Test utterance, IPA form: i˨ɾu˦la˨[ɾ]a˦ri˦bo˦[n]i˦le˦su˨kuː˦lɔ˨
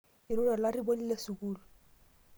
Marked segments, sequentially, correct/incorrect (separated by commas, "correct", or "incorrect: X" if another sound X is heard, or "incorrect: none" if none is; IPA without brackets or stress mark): incorrect: l, correct